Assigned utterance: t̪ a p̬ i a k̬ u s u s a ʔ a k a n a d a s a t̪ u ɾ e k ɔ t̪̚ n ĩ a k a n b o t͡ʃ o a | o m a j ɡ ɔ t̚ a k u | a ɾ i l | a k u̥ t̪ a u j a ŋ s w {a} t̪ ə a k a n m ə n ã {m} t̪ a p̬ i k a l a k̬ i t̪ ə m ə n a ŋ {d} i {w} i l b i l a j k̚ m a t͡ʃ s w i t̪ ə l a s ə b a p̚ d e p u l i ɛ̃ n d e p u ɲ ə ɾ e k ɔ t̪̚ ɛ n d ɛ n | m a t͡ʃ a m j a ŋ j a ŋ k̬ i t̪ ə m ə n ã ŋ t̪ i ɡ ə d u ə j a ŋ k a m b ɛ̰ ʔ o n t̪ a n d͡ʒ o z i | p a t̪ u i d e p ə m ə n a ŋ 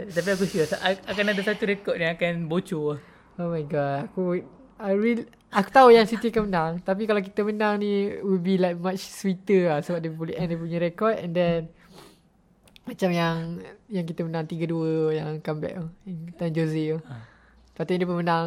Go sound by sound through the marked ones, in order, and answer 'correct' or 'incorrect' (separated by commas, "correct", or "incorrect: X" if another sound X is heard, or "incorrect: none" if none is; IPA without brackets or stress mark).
incorrect: i, incorrect: ŋ, incorrect: n, correct